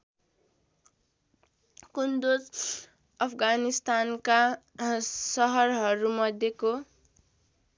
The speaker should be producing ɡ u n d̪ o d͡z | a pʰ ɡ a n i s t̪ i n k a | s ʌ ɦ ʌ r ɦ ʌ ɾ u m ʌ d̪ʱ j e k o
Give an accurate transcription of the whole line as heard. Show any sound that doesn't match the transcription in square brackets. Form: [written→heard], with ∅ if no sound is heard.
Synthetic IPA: [ɡ→k] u n d̪ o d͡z | [a→ʌ] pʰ ɡ a n i s t̪ [i→a] n k a | s ʌ ɦ ʌ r ɦ ʌ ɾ u m ʌ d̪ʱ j e k o